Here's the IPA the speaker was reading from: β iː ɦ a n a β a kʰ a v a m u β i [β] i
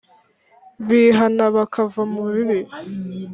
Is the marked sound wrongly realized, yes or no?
no